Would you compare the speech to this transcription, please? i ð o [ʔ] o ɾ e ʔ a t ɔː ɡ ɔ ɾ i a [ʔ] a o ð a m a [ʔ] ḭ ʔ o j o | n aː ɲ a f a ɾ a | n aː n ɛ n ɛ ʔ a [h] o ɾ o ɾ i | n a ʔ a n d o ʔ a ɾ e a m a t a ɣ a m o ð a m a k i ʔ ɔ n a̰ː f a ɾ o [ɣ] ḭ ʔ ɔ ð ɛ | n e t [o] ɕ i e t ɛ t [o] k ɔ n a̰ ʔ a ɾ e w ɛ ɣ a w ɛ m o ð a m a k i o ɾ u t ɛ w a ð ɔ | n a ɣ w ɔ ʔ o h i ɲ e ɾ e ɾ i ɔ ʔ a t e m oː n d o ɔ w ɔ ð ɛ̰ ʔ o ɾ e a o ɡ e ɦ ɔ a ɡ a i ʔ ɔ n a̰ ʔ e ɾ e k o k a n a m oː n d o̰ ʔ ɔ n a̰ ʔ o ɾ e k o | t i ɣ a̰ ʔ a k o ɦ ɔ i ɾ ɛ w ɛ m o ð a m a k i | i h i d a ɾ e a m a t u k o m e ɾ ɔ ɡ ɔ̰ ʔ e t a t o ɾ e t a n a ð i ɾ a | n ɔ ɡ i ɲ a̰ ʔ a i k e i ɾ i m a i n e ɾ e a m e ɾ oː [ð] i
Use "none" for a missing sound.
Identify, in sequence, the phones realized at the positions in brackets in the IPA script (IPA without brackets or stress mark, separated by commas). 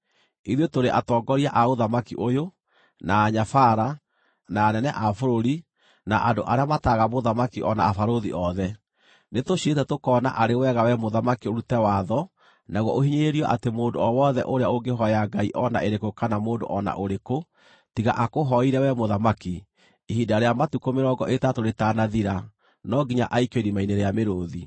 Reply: t, ʔ, k, f, ð, o, o, ð